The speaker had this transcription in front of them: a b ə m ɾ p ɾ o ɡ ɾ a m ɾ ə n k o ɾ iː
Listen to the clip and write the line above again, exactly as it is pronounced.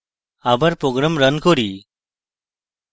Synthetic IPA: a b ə ɾ p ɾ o ɡ ɾ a m ɾ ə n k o ɾ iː